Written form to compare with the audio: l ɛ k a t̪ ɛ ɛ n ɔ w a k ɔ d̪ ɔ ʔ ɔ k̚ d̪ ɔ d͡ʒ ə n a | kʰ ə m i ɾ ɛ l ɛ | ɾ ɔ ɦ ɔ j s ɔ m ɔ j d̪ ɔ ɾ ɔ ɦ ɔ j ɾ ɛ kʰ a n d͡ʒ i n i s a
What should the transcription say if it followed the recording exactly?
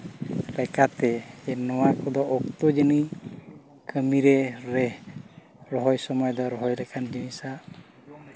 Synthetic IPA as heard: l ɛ k a t̪ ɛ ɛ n ɔ w a k ɔ d̪ ɔ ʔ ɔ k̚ t̪ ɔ d͡ʒ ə n i | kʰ ə m i ɾ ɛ ɾ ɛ | ɾ ɔ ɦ ɔ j s ɔ m ɔ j d̪ ɔ ɾ ɔ ɦ ɔ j ɾ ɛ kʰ a n d͡ʒ i n i s a

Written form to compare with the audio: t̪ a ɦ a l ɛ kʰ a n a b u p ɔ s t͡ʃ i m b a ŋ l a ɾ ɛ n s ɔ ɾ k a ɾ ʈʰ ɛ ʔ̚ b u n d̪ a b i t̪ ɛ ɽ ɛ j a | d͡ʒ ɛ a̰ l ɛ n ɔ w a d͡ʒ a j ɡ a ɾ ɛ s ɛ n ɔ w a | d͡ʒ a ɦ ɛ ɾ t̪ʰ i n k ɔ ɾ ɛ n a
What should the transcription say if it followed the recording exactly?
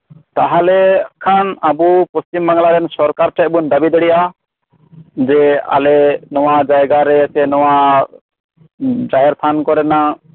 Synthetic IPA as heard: t̪ a ɦ a l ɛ kʰ a n a b u p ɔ s t͡ʃ i m b a ŋ l a ɾ ɛ n s ɔ ɾ k a ɾ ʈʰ ɛ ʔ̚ b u n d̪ a b i d̪ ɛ ɽ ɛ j a | d͡ʒ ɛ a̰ l ɛ n ɔ w a d͡ʒ a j ɡ a ɾ ɛ s ɛ n ɔ w a | d͡ʒ a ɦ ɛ ɾ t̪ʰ a n k ɔ ɾ ɛ n a

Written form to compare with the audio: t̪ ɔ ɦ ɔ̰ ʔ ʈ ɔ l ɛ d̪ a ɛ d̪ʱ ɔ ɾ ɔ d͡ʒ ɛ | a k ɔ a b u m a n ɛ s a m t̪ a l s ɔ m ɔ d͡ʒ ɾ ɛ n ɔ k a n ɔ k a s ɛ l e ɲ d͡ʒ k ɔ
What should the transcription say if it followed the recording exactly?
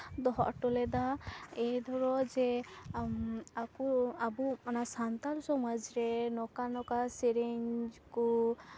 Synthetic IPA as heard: d̪ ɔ ɦ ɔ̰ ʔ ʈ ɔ l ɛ d̪ a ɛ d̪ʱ ɔ ɾ ɔ d͡ʒ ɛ | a k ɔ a b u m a n a s a n t̪ a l s ɔ m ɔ d͡ʒ ɾ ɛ n ɔ k a n ɔ k a s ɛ ɾ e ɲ d͡ʒ k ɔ

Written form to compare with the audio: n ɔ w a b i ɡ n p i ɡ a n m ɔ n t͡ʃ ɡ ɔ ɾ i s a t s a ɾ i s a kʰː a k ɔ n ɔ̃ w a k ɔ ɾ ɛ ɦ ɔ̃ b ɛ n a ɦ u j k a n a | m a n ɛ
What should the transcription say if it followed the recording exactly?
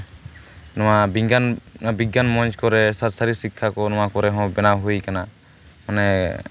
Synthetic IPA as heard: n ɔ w a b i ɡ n b i ɡ a n m ɔ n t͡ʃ k ɔ ɾ ɛ s a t s a ɾ i s i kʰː a k ɔ n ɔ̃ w a k ɔ ɾ ɛ ɦ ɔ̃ b ɛ n a ɦ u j k a n a | m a n ɛ

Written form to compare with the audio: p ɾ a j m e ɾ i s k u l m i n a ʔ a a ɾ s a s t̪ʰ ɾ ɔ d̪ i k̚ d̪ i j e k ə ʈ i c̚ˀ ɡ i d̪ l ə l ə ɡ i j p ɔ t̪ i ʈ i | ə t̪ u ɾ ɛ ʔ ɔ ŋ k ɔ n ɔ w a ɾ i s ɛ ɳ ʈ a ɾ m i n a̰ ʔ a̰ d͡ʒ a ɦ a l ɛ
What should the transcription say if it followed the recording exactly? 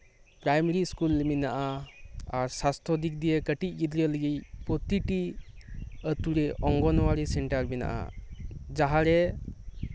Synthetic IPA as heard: p ɾ a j m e ɾ i s k u l m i n a ʔ a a ɾ s a s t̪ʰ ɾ ɔ d̪ i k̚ d̪ i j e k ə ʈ i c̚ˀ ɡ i d̪ ɾ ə l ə ɡ i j p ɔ t̪ i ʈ i | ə t̪ u ɾ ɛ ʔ ɔ ŋ ɡ ɔ n ɔ w a ɾ i s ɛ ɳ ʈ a ɾ m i n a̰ ʔ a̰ d͡ʒ a ɦ a ɾ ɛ

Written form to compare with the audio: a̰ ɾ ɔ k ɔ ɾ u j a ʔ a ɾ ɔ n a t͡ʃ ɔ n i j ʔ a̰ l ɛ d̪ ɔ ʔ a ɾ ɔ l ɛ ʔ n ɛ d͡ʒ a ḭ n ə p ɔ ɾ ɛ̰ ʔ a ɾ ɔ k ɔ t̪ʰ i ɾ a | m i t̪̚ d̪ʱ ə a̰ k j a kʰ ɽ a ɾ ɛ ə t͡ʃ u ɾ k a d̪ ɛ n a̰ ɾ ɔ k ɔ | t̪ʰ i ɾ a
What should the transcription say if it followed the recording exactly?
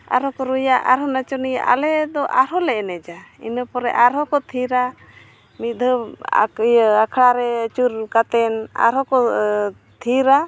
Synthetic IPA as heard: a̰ ɾ ɔ k ɔ ɾ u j a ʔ a ɾ ɔ n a t͡ʃ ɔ n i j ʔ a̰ l ɛ d̪ ɔ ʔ a ɾ ɔ l ɛ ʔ n ɛ d͡ʒ a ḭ n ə p ɔ ɾ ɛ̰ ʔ a ɾ ɔ k ɔ t̪ʰ i ɾ a | m i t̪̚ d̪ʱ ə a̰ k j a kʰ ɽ a ɾ ɛ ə t͡ʃ u ɾ k a t̪ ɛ n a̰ ɾ ɔ k ɔ | t̪ʰ i ɾ a

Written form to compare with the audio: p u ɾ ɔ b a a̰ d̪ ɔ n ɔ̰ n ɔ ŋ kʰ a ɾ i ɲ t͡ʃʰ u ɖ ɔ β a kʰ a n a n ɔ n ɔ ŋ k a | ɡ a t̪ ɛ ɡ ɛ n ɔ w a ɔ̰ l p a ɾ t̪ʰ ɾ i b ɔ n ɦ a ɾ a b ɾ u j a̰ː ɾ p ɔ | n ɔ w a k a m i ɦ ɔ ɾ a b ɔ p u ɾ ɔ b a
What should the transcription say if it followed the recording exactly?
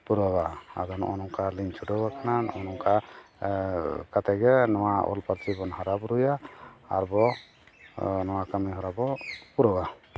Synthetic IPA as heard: p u ɾ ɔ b a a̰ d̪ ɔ n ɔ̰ n ɔ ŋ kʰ a l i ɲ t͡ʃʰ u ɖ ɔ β a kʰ a n a n ɔ n ɔ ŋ k a | k a t̪ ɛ ɡ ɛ n ɔ w a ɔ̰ l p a ɾ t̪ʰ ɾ i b ɔ n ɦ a ɾ a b ɾ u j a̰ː ɾ b ɔ | n ɔ w a k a m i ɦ ɔ ɾ a b ɔ p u ɾ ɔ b a

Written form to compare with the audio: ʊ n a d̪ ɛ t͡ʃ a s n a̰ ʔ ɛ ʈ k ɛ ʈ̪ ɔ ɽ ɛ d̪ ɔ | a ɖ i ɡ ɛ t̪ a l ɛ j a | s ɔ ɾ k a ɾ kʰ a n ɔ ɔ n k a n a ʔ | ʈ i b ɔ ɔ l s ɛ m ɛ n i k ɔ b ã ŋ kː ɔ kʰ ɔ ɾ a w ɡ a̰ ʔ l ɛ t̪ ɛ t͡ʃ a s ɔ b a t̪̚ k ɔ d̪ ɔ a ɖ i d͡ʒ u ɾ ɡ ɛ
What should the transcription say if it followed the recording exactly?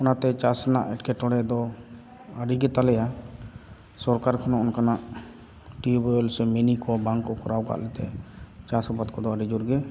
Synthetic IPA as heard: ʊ n a t̪ ɛ t͡ʃ a s n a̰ ʔ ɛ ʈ k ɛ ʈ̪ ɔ ɽ ɛ d̪ ɔ | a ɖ i ɡ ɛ t̪ a l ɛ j a | s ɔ ɾ k a ɾ kʰ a n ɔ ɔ n k a n a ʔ | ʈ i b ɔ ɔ l s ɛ m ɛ n i k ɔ b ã ŋ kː ɔ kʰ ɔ ɾ a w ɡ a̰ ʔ l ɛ t̪ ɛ t͡ʃ a s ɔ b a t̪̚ k ɔ d̪ ɔ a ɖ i d͡ʒ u ɾ ɡ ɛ

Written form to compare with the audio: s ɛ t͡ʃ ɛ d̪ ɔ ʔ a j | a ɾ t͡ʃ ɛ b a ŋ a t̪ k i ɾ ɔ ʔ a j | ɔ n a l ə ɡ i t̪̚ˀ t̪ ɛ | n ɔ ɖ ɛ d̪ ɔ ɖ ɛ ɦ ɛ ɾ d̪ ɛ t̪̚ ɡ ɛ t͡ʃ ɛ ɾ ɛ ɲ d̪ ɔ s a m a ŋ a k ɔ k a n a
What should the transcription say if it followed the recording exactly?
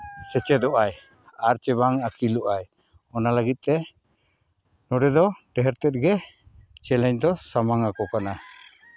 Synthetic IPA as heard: s ɛ t͡ʃ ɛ d̪ ɔ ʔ a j | a ɾ t͡ʃ ɛ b a ŋ a k i l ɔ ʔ a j | ɔ n a l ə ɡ i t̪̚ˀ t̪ ɛ | n ɔ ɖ ɛ d̪ ɔ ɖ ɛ ɦ ɛ ɾ t̪ ɛ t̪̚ ɡ ɛ t͡ʃ ɛ l ɛ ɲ d̪ ɔ s a m a ŋ a k ɔ k a n a

